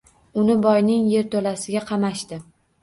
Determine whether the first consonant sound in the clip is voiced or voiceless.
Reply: voiced